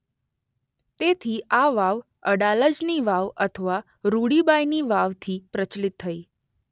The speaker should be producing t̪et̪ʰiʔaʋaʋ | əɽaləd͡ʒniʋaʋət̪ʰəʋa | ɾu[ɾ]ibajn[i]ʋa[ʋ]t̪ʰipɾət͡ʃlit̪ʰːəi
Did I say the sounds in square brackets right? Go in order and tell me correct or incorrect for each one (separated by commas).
incorrect, correct, correct